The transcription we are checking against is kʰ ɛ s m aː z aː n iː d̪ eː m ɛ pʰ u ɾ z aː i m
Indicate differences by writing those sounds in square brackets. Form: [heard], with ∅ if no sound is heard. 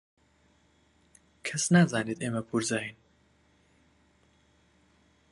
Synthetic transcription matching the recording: kʰ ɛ s [n] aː z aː n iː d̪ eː m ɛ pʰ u ɾ z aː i [n]

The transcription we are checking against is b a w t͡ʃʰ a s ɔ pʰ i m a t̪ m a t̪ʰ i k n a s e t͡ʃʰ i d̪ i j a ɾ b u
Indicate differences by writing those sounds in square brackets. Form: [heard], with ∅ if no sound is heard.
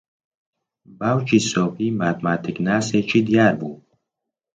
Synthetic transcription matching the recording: b a w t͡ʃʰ [i] s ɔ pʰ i m a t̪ m a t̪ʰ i k n a s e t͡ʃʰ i d̪ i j a ɾ b u

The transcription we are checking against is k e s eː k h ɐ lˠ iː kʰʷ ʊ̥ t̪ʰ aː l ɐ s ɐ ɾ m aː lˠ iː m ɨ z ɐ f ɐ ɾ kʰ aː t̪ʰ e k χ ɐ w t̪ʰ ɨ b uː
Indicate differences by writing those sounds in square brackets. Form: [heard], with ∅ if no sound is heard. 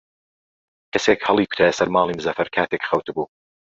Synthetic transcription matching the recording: k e s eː k h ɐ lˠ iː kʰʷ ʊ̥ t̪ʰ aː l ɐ s ɐ ɾ m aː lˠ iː m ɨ z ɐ f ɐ ɾ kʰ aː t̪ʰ e k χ ɐ w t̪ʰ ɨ b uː

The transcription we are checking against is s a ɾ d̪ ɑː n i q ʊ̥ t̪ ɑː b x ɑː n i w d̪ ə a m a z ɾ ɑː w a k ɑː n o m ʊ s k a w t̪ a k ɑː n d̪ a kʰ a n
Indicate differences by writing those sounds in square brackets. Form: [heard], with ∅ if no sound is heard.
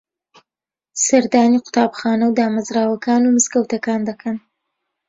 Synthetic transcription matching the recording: s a ɾ d̪ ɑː n i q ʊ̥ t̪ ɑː b x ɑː n [a] w d̪ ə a m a z ɾ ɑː w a k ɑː n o m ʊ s k a w t̪ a k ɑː n d̪ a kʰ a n

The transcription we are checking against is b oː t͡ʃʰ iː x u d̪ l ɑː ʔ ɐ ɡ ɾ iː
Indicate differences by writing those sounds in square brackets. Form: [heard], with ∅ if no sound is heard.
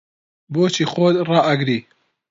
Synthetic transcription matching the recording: b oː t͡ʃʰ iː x [o] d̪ [r] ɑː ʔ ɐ ɡ ɾ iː

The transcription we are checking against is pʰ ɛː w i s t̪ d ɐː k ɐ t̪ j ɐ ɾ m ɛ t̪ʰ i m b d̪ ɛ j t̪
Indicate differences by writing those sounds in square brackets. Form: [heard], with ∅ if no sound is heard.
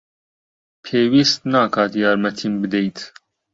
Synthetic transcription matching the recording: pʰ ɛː w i s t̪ [n] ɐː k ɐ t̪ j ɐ ɾ m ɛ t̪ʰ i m b d̪ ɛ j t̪

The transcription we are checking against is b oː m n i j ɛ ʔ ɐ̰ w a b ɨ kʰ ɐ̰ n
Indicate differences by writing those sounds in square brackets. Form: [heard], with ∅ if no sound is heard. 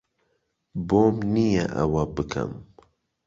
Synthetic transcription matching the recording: b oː m n i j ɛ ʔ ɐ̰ w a b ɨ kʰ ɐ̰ [m]

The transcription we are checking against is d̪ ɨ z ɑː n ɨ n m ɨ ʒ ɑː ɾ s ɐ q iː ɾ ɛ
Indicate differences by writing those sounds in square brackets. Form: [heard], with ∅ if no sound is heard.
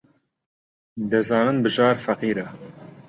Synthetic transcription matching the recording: d̪ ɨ z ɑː n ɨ n [b] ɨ ʒ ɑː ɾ [f] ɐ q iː ɾ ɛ

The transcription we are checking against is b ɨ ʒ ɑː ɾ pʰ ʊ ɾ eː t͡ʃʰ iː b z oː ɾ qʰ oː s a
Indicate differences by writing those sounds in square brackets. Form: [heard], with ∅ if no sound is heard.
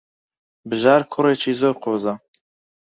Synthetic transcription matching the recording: b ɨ ʒ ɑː ɾ [kʰ] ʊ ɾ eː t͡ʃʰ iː [∅] z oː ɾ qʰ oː [z] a

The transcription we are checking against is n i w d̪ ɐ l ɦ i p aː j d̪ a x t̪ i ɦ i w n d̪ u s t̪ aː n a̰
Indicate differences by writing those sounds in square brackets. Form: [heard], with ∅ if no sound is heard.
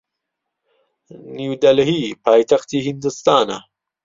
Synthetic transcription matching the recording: n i w d̪ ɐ l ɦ i p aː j [t̪] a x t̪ i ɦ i [∅] n d̪ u s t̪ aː n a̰

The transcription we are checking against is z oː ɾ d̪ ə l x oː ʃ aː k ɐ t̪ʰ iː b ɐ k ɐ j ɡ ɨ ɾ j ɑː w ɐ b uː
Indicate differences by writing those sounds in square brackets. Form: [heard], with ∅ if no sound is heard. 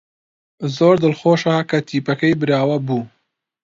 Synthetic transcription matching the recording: z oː ɾ d̪ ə l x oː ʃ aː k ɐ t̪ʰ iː [p] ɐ k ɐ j [b] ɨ ɾ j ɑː w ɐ b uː

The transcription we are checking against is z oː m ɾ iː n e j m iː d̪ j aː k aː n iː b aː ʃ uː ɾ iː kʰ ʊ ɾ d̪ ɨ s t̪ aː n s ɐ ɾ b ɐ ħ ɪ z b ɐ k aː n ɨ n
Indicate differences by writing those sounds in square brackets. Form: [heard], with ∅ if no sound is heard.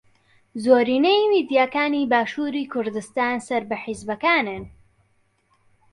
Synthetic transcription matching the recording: z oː [∅] ɾ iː n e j m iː d̪ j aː k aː n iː b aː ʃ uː ɾ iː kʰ ʊ ɾ d̪ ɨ s t̪ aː n s ɐ ɾ b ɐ ħ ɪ z b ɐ k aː n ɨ n

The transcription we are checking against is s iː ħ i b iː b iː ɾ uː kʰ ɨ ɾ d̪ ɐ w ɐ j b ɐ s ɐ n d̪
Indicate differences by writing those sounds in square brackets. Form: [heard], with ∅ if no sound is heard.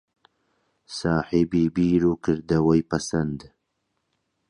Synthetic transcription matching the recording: s [aː] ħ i b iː b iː ɾ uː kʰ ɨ ɾ d̪ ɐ w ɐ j [p] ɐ s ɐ n d̪

